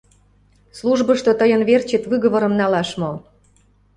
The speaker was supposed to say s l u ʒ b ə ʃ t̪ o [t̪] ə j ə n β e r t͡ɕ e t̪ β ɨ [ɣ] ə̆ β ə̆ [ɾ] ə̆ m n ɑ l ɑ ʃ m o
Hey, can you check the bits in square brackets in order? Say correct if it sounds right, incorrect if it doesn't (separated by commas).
correct, correct, correct